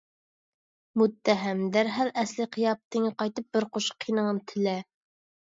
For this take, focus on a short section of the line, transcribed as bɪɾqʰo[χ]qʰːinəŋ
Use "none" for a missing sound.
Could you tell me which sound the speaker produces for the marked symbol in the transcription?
ʃ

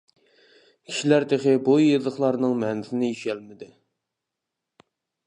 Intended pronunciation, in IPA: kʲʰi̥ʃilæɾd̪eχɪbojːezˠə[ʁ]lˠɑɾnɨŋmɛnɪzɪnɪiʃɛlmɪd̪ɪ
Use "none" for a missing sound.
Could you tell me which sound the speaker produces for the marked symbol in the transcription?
χ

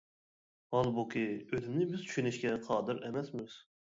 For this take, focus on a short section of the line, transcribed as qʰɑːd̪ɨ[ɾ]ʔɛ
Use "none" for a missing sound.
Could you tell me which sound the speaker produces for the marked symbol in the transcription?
ɾ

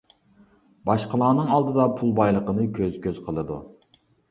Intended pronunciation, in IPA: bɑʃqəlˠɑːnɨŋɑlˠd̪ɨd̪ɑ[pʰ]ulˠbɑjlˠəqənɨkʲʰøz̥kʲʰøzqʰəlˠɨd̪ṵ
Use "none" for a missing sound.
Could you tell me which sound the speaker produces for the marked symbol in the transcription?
pʰ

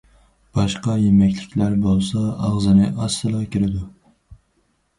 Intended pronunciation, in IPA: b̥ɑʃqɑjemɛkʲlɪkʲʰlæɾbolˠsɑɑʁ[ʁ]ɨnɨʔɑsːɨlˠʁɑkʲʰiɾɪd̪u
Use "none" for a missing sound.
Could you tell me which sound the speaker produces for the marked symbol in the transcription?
z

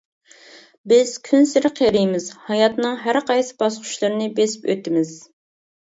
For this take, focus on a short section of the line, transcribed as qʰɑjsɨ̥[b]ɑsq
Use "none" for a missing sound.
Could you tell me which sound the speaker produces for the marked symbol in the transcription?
b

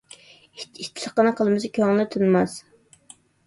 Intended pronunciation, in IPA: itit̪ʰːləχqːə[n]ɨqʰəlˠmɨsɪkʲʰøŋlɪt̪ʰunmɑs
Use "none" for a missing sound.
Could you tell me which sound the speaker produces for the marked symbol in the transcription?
n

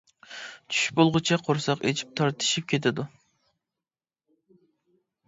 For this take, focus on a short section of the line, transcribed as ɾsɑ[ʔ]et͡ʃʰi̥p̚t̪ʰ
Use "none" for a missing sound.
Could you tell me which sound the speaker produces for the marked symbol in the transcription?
q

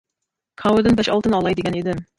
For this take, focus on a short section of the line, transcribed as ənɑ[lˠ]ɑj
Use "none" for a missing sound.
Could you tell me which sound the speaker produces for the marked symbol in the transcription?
lˠ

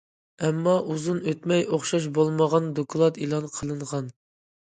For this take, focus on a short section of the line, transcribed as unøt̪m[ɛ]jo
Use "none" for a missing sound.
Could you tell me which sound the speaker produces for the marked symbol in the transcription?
ɛ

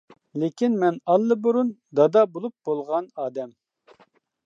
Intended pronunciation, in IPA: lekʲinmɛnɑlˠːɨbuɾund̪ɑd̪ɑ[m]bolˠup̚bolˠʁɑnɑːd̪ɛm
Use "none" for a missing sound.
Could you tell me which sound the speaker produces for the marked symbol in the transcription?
none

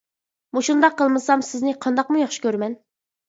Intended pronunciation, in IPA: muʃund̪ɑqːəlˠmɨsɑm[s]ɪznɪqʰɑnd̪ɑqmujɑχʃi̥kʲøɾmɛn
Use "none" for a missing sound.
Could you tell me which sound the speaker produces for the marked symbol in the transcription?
s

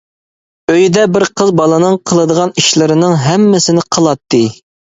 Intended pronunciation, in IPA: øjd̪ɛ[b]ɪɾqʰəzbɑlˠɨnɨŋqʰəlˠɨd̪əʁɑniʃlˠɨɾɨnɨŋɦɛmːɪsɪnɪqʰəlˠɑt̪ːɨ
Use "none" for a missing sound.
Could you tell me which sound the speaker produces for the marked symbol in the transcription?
b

